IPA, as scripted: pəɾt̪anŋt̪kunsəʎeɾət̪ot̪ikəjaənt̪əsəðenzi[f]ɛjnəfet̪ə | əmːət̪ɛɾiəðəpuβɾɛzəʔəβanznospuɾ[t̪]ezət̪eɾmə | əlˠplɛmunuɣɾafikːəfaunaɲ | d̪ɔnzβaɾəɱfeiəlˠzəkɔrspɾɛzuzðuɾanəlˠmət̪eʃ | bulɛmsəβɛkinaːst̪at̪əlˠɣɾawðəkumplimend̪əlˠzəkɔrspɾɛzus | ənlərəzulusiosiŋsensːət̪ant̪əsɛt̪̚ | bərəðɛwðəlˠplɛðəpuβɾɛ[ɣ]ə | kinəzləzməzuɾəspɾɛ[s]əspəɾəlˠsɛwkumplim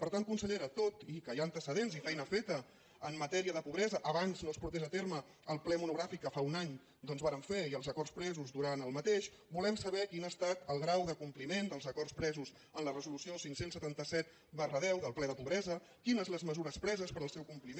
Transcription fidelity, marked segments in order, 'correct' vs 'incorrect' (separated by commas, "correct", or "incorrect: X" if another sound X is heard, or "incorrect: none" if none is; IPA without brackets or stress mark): correct, correct, incorrect: z, incorrect: z